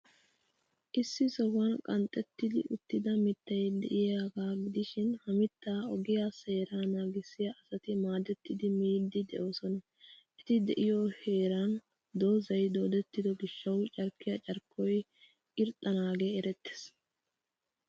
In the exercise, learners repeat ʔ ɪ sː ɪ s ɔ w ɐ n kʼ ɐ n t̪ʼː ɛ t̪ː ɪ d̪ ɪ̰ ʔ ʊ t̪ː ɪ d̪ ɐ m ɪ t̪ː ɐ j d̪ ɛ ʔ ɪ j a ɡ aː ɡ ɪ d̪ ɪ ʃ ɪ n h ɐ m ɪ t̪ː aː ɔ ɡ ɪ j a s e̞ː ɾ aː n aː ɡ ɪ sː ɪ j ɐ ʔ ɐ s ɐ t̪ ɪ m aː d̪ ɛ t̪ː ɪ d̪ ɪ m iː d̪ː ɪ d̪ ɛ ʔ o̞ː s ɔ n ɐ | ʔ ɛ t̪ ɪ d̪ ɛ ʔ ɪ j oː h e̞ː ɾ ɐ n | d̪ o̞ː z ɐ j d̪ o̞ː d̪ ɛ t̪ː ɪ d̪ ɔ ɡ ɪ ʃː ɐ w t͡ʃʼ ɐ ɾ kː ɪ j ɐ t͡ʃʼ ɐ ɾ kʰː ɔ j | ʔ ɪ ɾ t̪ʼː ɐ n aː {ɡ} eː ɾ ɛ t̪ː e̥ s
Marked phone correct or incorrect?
correct